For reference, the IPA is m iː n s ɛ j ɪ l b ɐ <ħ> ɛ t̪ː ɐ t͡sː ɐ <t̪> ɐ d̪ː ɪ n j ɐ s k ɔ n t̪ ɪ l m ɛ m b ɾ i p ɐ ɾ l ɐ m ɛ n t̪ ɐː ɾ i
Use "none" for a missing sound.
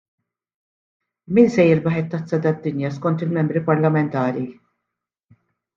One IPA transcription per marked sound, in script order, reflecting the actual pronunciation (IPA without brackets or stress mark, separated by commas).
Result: ħ, d̪